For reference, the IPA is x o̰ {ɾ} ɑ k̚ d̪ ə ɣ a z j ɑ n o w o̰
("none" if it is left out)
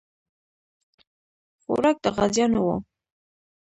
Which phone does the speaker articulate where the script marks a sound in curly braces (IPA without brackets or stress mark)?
ɾ